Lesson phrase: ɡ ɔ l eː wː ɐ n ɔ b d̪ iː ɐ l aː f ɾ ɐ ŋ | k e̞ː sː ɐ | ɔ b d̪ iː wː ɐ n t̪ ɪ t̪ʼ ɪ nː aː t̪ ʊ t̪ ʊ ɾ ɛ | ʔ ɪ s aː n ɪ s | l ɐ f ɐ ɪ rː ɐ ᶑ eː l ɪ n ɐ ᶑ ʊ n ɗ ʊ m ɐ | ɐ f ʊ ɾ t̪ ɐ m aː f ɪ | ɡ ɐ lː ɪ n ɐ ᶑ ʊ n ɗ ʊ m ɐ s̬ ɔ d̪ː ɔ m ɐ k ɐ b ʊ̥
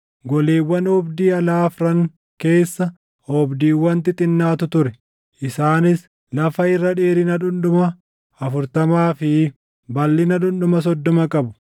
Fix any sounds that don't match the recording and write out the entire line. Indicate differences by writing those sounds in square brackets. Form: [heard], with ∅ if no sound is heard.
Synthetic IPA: ɡ ɔ l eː wː ɐ n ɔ b d̪ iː ɐ l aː f ɾ ɐ ŋ | k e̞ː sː ɐ | ɔ b d̪ iː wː ɐ n t̪ ɪ t̪ʼ ɪ nː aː t̪ ʊ t̪ ʊ ɾ ɛ | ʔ ɪ s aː n ɪ s | l ɐ f ɐ ɪ rː ɐ ᶑ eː [ɾ] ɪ n ɐ ᶑ ʊ n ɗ ʊ m ɐ | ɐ f ʊ ɾ t̪ ɐ m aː f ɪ | [b] ɐ lː ɪ n ɐ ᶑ ʊ n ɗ ʊ m ɐ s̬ ɔ d̪ː ɔ m ɐ [kʼ] ɐ b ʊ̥

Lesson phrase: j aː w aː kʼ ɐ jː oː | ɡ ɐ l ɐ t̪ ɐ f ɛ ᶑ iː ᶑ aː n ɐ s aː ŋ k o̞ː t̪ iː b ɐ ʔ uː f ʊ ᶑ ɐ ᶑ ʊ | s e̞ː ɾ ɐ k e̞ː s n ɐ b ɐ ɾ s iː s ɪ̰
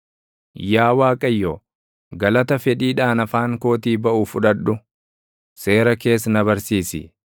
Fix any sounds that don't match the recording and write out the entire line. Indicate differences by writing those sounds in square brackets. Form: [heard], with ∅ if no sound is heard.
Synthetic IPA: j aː w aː kʼ ɐ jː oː | ɡ ɐ l ɐ t̪ ɐ f ɛ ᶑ iː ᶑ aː n ɐ [f] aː ŋ k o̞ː t̪ iː b ɐ ʔ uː f ʊ ᶑ ɐ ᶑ ʊ | s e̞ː ɾ ɐ k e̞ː s n ɐ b ɐ ɾ s iː s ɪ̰

